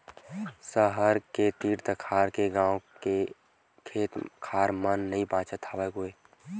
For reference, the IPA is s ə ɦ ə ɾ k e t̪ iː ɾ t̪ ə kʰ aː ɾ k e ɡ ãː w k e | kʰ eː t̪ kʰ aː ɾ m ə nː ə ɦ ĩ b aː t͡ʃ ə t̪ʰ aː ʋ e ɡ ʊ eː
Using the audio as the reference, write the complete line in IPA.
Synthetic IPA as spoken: s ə ɦ ə ɾ k e t̪ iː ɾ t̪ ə kʰ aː ɾ k e ɡ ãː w k e | kʰ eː t̪ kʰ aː ɾ m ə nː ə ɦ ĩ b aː t͡ʃ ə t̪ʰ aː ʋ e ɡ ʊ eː